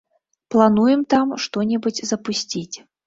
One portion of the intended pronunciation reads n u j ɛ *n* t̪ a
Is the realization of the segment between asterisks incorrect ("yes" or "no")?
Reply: yes